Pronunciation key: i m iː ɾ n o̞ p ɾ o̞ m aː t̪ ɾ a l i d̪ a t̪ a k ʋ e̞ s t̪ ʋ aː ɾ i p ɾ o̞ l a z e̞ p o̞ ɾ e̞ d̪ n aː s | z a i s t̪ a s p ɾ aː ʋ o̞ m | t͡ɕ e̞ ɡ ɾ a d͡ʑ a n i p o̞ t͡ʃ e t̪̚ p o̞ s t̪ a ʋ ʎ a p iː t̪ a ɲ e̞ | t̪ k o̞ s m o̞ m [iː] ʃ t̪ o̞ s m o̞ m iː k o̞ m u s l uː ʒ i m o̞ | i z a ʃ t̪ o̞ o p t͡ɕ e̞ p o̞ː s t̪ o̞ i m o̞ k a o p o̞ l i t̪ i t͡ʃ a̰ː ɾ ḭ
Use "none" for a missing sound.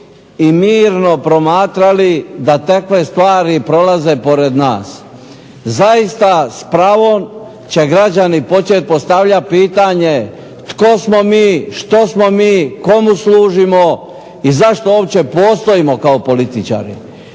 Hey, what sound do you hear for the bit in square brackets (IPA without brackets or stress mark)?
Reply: iː